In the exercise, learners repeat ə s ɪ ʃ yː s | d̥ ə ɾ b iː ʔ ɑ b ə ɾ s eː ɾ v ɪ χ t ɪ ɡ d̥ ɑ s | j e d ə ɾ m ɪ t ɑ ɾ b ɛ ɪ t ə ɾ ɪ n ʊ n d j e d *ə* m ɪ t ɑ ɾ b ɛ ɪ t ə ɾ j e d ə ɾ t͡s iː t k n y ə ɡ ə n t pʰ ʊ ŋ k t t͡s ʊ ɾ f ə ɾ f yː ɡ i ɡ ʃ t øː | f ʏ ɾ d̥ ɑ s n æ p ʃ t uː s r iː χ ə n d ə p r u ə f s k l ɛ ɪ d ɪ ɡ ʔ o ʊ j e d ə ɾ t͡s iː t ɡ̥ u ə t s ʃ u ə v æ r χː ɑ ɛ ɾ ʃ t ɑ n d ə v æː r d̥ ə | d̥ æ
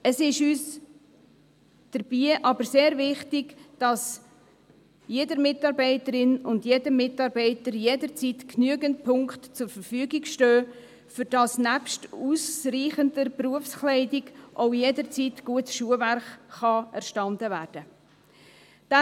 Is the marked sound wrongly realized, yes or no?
no